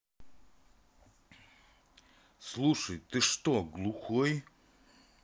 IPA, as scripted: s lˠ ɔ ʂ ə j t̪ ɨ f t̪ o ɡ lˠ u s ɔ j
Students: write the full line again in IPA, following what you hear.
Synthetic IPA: s lˠ u ʂ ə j t̪ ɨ ʂ t̪ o ɡ lˠ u x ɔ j